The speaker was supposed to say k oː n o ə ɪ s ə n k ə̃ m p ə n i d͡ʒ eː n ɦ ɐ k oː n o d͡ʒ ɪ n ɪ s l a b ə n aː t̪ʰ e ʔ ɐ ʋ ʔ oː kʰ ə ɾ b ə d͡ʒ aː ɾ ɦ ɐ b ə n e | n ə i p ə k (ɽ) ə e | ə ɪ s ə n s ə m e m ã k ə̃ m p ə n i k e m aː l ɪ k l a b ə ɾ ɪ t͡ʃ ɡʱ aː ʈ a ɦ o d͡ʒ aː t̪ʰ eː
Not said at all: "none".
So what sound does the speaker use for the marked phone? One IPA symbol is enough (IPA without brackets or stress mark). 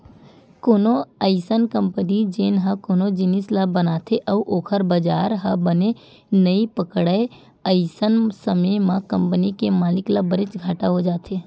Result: ɽ